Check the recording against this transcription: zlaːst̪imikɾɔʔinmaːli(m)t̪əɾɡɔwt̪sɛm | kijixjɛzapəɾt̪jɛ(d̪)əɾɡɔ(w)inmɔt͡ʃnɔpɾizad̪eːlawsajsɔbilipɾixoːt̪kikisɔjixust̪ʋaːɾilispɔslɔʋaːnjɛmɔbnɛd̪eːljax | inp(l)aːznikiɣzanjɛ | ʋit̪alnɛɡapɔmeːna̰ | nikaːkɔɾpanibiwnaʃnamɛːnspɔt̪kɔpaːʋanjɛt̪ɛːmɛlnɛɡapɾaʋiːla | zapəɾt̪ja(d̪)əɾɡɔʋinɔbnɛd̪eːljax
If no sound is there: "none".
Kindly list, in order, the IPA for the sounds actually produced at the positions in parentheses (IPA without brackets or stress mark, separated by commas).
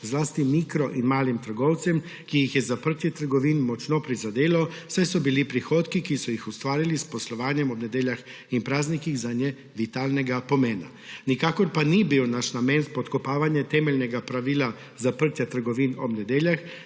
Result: m, t̪, ʋ, ɾ, t̪